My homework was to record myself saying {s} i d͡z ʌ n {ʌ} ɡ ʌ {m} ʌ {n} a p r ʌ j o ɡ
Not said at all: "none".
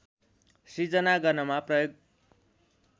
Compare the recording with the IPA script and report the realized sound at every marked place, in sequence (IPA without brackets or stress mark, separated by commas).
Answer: s, a, n, m